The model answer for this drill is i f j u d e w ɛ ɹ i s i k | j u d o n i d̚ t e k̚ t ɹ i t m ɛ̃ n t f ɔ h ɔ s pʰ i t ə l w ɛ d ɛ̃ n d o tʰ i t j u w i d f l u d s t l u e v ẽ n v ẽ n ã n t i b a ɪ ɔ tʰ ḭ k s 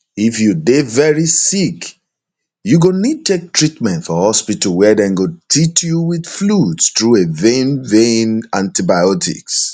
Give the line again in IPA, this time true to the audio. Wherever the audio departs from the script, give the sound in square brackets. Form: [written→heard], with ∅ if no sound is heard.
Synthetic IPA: i f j u d e [w→v] ɛ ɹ i s i k | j u [d→ɡ] o n i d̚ t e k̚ t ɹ i t m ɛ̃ n t f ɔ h ɔ s [pʰ→p] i t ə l w ɛ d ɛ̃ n [d→ɡ] o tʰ i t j u w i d f l u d s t [l→ɹ] u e v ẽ n v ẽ n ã n t i b a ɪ ɔ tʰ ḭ k s